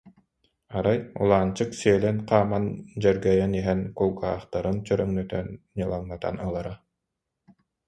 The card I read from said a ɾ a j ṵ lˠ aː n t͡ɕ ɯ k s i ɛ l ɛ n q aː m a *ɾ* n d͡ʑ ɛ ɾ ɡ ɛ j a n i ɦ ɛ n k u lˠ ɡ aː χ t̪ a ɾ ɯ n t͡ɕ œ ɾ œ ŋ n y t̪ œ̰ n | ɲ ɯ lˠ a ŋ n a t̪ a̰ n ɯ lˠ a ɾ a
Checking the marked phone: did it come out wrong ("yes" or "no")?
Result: yes